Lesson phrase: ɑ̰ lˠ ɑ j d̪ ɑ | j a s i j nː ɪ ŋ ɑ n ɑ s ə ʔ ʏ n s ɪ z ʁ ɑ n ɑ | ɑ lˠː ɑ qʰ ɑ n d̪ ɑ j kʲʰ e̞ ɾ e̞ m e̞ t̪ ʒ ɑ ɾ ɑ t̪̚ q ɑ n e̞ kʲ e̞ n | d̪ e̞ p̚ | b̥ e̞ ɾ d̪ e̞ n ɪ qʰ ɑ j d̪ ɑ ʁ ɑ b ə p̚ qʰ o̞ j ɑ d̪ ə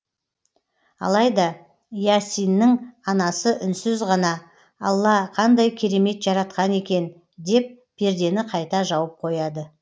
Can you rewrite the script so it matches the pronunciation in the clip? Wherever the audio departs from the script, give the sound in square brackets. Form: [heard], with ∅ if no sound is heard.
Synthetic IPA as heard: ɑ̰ lˠ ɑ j d̪ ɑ | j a s i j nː ɪ ŋ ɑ n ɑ s ə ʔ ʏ n s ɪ z ʁ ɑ n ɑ | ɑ lˠː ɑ qʰ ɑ n d̪ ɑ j kʲʰ e̞ ɾ e̞ m e̞ t̪ ʒ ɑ ɾ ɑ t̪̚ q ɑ n e̞ kʲ e̞ n | d̪ e̞ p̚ | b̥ e̞ ɾ d̪ e̞ n ɪ qʰ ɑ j [t̪] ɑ [ʒ] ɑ [w] ə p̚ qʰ o̞ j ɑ d̪ ə

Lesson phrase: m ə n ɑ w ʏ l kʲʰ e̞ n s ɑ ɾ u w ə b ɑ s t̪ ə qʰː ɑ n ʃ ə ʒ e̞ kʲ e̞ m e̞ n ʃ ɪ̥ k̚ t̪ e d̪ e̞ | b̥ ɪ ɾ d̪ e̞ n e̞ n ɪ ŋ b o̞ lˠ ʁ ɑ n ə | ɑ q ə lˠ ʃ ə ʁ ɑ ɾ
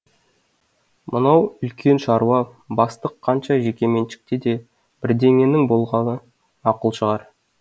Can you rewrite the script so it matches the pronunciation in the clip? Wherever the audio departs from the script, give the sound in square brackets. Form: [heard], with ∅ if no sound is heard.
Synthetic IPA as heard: m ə n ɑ w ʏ l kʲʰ e̞ n [ʃ] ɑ ɾ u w [ɑ] b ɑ s t̪ ə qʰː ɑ n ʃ [ɑ] ʒ e̞ kʲ e̞ m e̞ n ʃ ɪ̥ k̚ t̪ e d̪ e̞ | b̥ ɪ ɾ d̪ e̞ [ŋ] e̞ n ɪ ŋ b o̞ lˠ ʁ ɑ n ə | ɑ q ə lˠ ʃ ə ʁ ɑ ɾ

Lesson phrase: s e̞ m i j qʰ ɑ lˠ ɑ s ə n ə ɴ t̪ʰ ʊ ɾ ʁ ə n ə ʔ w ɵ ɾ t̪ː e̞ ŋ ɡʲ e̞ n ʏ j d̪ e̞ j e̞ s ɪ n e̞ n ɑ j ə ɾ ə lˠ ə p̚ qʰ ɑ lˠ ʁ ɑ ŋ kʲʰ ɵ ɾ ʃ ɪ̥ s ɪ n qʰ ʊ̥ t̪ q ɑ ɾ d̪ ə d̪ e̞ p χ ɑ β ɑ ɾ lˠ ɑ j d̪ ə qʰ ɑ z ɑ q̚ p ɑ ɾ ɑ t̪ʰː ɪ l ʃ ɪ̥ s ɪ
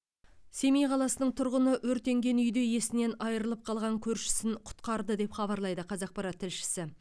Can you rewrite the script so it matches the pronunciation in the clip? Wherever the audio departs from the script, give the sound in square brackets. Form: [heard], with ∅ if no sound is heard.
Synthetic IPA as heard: s e̞ m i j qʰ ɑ lˠ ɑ s ə n ə ɴ t̪ʰ ʊ ɾ ʁ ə n ə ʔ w ɵ ɾ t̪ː e̞ ŋ ɡʲ e̞ n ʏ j d̪ e̞ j e̞ s ɪ n e̞ n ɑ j ə ɾ ə lˠ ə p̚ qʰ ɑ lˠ ʁ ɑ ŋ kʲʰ ɵ ɾ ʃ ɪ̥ s ɪ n qʰ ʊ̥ t̪ q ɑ ɾ d̪ ə d̪ e̞ p χ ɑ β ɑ ɾ lˠ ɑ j d̪ ə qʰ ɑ z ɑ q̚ p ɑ ɾ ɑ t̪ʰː ɪ l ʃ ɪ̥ s ɪ

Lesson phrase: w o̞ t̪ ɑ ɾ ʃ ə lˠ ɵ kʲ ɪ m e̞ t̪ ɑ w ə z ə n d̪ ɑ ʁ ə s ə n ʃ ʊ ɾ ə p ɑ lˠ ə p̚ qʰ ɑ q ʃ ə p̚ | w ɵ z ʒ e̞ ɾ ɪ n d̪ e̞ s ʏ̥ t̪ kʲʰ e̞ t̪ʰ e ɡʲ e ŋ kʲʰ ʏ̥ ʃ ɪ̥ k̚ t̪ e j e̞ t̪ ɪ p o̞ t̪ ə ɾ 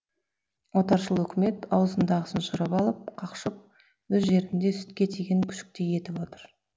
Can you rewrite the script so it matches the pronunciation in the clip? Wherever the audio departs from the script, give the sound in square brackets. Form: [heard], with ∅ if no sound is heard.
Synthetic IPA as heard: w o̞ t̪ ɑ ɾ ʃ ə lˠ ɵ kʲ ɪ m e̞ t̪ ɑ w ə z ə n d̪ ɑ ʁ ə s ə n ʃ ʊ ɾ ə p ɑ lˠ ə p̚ qʰ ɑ q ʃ ə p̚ | w ɵ z ʒ e̞ ɾ ɪ n d̪ e̞ s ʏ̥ t̪ [kʲ] e̞ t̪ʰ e ɡʲ e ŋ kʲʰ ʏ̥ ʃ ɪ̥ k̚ t̪ e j e̞ t̪ ɪ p o̞ t̪ ə ɾ

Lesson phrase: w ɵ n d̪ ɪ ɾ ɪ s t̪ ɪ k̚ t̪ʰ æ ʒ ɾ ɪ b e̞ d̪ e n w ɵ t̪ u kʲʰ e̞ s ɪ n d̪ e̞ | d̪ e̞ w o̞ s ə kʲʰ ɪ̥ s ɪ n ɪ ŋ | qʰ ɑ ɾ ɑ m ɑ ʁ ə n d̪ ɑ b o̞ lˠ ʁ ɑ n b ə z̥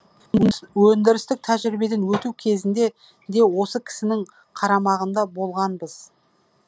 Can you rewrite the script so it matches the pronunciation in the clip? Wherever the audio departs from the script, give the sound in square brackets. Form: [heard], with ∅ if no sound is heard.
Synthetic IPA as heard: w ɵ n d̪ ɪ ɾ ɪ s t̪ ɪ k̚ t̪ʰ æ ʒ ɾ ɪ b e̞ d̪ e n w ɵ t̪ u kʲʰ e̞ [z] ɪ n d̪ e̞ | d̪ e̞ w o̞ s ə kʲʰ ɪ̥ s ɪ n ɪ ŋ | qʰ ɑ ɾ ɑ m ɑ ʁ ə n d̪ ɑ b o̞ lˠ ʁ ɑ n b ə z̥

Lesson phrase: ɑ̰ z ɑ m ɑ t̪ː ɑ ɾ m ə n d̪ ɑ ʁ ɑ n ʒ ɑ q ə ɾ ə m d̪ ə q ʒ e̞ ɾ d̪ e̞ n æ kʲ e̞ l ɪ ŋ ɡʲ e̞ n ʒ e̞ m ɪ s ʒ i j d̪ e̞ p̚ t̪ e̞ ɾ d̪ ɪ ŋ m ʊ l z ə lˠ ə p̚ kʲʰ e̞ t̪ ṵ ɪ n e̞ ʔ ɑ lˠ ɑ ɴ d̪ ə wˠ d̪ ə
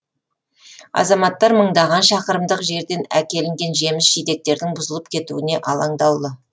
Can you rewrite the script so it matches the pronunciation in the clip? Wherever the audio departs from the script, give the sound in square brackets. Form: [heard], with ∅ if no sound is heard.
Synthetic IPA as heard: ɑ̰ z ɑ m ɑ t̪ː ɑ ɾ m ə [ɴ] d̪ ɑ ʁ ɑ n [ʃ] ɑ q ə ɾ ə m d̪ ə q ʒ e̞ ɾ d̪ e̞ n æ kʲ e̞ l ɪ ŋ ɡʲ e̞ n ʒ e̞ m ɪ s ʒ i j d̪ e̞ [k̚] t̪ e̞ ɾ d̪ ɪ ŋ [b] ʊ [∅] z ə lˠ ə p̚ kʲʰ e̞ t̪ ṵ ɪ n e̞ ʔ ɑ lˠ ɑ ɴ d̪ [ɑ] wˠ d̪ ə

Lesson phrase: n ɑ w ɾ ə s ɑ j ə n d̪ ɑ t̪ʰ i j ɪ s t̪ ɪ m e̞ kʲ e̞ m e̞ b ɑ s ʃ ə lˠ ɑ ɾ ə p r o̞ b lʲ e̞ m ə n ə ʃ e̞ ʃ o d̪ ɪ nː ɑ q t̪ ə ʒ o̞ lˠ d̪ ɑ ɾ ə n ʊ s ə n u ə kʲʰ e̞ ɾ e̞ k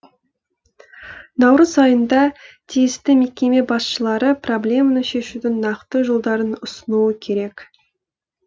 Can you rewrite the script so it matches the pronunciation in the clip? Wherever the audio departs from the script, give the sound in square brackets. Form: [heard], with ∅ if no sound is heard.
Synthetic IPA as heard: n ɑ w ɾ ə [z] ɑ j ə n d̪ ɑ t̪ʰ i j ɪ s t̪ ɪ m e̞ kʲ e̞ m e̞ b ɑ s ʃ ə lˠ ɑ ɾ ə p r o̞ b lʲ e̞ m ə n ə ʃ e̞ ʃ [u] d̪ ɪ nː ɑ q t̪ ə ʒ o̞ lˠ d̪ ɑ ɾ ə n ʊ s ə n u ə kʲʰ e̞ ɾ e̞ k

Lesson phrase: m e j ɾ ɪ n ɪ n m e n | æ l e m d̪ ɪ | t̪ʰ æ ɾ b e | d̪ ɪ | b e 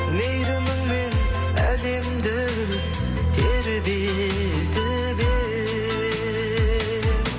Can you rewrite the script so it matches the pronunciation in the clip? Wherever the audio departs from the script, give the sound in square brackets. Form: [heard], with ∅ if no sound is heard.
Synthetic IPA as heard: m e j ɾ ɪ [m] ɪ [ŋ] m e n | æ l e m d̪ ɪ | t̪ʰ [e] ɾ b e | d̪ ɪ | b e

